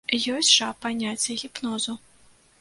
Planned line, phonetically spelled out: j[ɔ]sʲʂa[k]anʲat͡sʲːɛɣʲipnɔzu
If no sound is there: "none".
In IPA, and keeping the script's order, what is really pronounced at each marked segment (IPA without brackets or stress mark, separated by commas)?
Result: ɔ, p